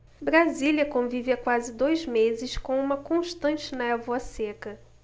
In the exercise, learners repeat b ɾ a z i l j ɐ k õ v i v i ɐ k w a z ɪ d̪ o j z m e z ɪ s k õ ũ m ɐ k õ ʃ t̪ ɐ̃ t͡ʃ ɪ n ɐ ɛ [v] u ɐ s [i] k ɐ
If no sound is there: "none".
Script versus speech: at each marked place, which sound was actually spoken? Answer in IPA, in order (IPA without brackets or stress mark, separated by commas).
v, e